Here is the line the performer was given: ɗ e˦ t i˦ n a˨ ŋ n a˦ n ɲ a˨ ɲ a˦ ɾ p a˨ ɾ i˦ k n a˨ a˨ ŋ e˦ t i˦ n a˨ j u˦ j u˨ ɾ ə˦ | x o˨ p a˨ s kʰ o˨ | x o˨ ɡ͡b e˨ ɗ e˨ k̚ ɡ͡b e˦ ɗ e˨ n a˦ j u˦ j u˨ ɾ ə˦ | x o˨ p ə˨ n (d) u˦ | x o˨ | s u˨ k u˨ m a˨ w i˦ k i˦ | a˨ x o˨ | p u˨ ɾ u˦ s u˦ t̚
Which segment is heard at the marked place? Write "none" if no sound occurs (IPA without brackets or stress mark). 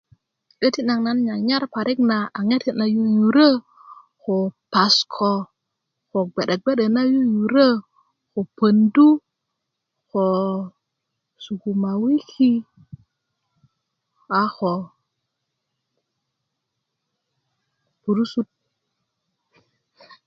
d